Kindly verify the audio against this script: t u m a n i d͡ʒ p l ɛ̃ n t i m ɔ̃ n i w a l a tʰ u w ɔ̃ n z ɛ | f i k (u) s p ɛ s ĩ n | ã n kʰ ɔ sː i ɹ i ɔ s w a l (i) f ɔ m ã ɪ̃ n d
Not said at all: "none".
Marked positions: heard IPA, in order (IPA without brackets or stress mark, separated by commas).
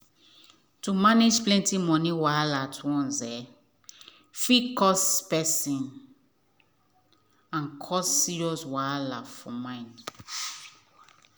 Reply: ɔ, a